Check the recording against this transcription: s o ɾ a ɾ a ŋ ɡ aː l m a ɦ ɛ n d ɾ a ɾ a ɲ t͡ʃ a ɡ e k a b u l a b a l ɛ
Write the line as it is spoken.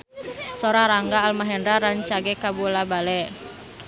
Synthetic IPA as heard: s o ɾ a ɾ a ŋ ɡ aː l m a ɦ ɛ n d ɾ a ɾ a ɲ t͡ʃ a ɡ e k a b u l a b a l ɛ